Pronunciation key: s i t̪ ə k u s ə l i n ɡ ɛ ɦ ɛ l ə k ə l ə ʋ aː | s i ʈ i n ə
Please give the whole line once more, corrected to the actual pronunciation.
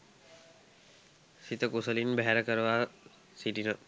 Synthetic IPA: s i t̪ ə k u s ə l i n b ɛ ɦ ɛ ɾ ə k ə ɾ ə ʋ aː | s i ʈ i n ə